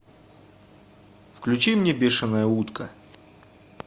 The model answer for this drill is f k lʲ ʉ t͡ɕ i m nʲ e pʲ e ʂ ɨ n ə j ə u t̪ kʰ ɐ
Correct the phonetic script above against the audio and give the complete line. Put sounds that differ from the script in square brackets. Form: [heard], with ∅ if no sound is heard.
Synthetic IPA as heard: f k lʲ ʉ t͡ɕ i m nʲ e [bʲ] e ʂ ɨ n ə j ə u t̪ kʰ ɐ